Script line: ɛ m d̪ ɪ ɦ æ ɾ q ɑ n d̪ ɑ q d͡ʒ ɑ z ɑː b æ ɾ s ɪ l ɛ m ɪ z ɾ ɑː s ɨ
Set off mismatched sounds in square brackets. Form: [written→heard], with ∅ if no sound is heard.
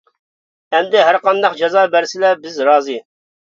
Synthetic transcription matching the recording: ɛ m d̪ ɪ ɦ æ ɾ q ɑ n d̪ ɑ q d͡ʒ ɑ z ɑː b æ ɾ s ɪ l ɛ [m→b] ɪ z ɾ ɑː [s→z] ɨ

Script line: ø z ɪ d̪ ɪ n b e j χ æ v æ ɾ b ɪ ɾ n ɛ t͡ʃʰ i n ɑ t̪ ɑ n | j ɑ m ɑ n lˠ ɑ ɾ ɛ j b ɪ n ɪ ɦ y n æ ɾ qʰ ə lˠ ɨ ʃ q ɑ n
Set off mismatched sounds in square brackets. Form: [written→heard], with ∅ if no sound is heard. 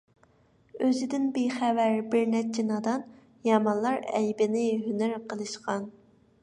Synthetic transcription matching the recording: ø z ɪ d̪ ɪ n b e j χ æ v æ ɾ b ɪ ɾ n ɛ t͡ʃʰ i n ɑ [t̪→d̪] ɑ n | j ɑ m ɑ n lˠ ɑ ɾ ɛ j b ɪ n ɪ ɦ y n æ ɾ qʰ ə lˠ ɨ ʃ q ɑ n

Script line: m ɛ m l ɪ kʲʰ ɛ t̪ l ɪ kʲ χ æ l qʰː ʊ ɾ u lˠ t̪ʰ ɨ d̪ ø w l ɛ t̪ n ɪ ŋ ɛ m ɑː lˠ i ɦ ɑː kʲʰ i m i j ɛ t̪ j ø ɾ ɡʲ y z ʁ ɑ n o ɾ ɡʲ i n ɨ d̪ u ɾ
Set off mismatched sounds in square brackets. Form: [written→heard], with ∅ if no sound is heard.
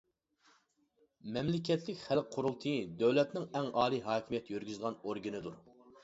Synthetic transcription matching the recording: m ɛ m l ɪ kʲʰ ɛ t̪ l ɪ kʲ χ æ l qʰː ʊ ɾ u lˠ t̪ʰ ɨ d̪ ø w l ɛ t̪ n ɪ ŋ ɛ [m→ŋ] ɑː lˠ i ɦ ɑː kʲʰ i m i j ɛ t̪ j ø ɾ ɡʲ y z ʁ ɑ n o ɾ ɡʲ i n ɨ d̪ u ɾ

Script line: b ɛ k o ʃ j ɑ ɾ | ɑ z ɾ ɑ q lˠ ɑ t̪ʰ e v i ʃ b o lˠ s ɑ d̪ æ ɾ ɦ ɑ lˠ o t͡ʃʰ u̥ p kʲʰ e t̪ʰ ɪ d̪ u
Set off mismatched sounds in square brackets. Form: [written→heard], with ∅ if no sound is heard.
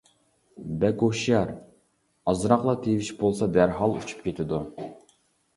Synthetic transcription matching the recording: b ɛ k o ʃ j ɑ ɾ | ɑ z ɾ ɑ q lˠ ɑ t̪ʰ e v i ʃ b o lˠ s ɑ d̪ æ ɾ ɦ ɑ lˠ [o→u] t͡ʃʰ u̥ p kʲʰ e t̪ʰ ɪ d̪ u

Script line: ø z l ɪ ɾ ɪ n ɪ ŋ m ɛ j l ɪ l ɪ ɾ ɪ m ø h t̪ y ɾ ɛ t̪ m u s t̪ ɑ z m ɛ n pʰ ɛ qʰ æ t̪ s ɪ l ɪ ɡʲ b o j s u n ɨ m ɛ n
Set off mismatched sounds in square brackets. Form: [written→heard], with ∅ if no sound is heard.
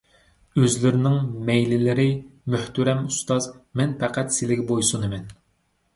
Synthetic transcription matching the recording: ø z l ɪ ɾ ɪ n ɪ ŋ m ɛ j l ɪ l ɪ ɾ ɪ m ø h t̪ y ɾ ɛ [t̪→∅] m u s t̪ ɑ z m ɛ n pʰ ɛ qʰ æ t̪ s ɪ l ɪ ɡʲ b o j s u n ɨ m ɛ n

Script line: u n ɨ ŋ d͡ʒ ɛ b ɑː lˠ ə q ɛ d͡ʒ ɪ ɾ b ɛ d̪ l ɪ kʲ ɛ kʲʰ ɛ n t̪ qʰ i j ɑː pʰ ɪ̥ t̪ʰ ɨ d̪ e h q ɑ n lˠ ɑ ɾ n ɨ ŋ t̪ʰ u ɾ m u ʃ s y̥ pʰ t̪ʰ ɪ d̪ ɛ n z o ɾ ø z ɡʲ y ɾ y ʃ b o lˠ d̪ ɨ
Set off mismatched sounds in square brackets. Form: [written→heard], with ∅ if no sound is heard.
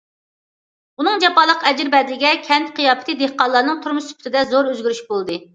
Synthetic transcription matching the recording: u n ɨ ŋ d͡ʒ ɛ [b→p] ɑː lˠ ə q ɛ d͡ʒ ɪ ɾ b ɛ d̪ l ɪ [kʲ→ɡʲ] ɛ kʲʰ ɛ n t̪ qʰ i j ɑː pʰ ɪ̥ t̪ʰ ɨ d̪ e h q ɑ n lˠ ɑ ɾ n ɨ ŋ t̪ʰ u ɾ m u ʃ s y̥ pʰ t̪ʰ ɪ d̪ ɛ [n→∅] z o ɾ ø z ɡʲ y ɾ y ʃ b o lˠ d̪ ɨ

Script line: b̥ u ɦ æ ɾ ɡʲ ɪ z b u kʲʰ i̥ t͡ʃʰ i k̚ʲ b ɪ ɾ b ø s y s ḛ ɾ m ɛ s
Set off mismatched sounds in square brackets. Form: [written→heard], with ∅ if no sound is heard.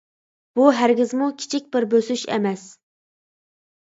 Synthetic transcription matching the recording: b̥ u ɦ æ ɾ ɡʲ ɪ z [b→m] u kʲʰ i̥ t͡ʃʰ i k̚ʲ b ɪ ɾ b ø s y [s→ʃ] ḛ [ɾ→∅] m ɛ s

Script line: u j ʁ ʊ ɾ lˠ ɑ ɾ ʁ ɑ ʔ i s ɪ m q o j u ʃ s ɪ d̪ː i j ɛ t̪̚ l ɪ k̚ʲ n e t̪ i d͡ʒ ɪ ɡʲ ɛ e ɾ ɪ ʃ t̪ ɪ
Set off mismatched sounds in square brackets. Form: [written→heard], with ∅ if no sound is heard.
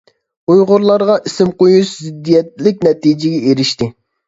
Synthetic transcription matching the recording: u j ʁ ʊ ɾ lˠ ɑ ɾ ʁ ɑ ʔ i s ɪ m q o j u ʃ [s→z] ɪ d̪ː i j ɛ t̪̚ l ɪ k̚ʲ n [e→ɛ] t̪ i d͡ʒ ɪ ɡʲ ɛ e ɾ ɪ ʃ t̪ ɪ

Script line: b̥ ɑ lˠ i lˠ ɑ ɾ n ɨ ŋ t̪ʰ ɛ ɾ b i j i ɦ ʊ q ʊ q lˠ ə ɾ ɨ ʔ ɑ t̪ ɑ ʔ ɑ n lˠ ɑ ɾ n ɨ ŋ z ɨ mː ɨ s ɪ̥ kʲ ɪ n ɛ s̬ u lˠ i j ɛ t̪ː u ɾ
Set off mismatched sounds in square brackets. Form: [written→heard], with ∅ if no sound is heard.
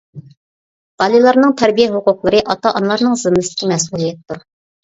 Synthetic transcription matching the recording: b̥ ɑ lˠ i lˠ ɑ ɾ n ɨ ŋ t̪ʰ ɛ ɾ b i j [i→ɛ] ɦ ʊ q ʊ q lˠ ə ɾ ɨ ʔ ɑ t̪ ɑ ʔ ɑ n lˠ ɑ ɾ n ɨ ŋ z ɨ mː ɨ s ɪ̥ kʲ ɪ [n→m] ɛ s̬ u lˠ i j ɛ t̪ː u ɾ

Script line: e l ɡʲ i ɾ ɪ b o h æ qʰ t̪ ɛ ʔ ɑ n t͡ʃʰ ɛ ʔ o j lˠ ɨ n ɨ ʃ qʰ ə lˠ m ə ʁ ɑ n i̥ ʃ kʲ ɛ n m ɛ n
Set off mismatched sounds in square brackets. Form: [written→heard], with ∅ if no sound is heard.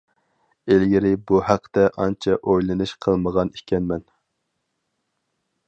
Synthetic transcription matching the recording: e l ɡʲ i ɾ ɪ b [o→u] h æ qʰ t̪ ɛ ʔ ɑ n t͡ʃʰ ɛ ʔ o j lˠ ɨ n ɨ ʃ qʰ ə lˠ m ə ʁ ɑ n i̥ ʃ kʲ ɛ n m ɛ n

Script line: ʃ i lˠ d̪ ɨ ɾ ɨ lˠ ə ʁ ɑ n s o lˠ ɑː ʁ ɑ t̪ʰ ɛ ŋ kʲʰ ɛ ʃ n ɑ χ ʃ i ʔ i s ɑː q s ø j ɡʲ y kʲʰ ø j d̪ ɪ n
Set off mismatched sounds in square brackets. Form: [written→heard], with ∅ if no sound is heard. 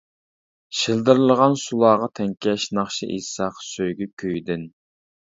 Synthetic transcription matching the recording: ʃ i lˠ d̪ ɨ ɾ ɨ lˠ ə ʁ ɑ n s [o→u] lˠ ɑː ʁ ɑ t̪ʰ ɛ ŋ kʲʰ ɛ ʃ n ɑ χ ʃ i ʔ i s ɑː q s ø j ɡʲ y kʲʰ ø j d̪ ɪ n

